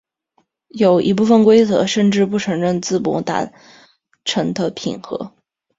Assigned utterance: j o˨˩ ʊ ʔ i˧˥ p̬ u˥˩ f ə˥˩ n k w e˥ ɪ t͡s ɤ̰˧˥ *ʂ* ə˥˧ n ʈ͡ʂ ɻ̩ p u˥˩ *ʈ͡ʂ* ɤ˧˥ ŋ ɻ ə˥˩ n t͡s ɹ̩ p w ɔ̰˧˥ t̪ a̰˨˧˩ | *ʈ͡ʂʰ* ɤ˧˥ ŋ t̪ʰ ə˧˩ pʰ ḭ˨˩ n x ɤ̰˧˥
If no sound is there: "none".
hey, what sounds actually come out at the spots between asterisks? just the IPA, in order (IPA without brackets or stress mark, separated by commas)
ʂ, ʈ͡ʂʰ, ʈ͡ʂʰ